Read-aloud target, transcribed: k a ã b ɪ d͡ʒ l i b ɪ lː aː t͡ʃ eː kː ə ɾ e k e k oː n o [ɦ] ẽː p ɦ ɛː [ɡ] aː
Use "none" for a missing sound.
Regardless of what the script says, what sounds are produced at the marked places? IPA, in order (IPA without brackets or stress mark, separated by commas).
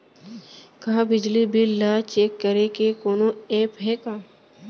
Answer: none, k